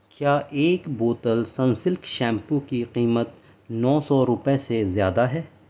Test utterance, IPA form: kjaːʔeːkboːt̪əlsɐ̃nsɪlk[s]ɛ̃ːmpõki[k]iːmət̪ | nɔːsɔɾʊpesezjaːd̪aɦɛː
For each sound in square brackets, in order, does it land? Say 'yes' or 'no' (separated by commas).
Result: no, no